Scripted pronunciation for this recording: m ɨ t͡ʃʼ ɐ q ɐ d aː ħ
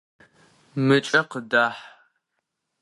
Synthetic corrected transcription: m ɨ t͡ʃʼ ɐ q ə d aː ħ

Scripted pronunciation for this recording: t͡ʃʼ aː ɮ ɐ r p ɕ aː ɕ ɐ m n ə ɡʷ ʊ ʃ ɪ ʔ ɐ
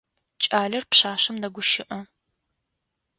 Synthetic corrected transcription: t͡ʃʼ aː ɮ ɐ r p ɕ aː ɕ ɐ m n ɐ ɡʷ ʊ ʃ ɪ ʔ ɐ

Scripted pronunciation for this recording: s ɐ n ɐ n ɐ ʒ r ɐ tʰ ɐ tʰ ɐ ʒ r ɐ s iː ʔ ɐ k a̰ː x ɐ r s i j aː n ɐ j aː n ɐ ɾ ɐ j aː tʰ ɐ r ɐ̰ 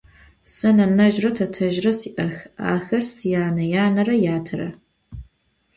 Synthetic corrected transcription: s ɐ n ɐ n ɐ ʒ r ɐ tʰ ɐ tʰ ɐ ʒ r ɐ s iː ʔ ɐ x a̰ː x ɐ r s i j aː n ɐ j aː n ɐ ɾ ɐ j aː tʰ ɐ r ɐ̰

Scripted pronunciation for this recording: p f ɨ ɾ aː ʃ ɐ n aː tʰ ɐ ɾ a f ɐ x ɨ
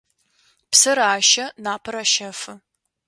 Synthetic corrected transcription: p s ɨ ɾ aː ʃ ɐ n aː pʰ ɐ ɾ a ʃ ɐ f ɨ

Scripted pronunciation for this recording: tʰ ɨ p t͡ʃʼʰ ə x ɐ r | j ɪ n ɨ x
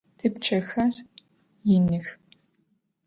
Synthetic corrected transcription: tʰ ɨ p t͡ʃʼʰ ɐ x ɐ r | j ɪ n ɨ x

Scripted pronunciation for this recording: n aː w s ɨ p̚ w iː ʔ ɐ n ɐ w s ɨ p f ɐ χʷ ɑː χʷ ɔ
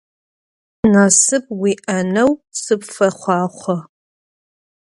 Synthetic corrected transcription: n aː s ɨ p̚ w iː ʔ ɐ n ɐ w s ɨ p f ɐ χʷ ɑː χʷ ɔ

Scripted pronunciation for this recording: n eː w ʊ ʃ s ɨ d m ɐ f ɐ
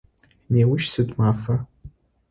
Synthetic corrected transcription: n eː w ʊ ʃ s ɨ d m a f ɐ

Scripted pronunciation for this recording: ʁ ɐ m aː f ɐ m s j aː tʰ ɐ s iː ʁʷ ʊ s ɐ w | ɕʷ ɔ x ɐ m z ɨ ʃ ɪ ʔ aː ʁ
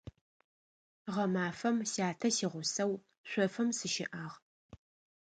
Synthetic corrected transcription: ʁ ɐ m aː f ɐ m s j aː tʰ ɐ s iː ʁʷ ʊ s ɐ w | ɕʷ ɔ f ɐ m s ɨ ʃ ɪ ʔ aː ʁ

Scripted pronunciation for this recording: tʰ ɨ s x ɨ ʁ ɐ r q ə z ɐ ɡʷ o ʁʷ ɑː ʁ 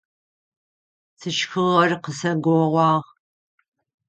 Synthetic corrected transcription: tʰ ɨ ʃ x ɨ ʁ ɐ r q ə s ɐ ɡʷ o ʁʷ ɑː ʁ

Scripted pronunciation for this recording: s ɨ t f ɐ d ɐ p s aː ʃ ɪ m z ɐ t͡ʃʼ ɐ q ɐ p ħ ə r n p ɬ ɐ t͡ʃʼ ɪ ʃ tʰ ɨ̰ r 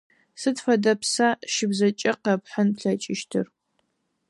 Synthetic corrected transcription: s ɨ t f ɐ d ɐ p s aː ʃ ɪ b z ɐ t͡ʃʼ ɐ q ɐ p ħ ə n p ɬ ɐ t͡ʃʼ ɪ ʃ tʰ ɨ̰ r

